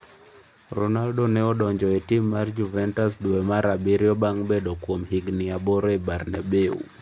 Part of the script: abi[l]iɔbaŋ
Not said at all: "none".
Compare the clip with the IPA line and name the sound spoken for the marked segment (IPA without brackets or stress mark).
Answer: ɾ